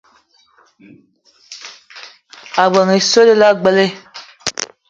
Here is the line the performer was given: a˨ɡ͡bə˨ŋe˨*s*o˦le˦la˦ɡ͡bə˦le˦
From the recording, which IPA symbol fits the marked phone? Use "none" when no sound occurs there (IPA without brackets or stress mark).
s